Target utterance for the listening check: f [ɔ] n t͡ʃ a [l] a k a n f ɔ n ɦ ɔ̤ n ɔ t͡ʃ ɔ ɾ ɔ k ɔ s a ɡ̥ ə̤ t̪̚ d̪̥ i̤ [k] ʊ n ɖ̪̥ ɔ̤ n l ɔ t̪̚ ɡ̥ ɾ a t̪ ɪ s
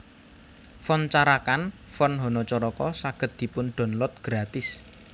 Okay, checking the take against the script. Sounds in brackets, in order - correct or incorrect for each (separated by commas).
correct, incorrect, incorrect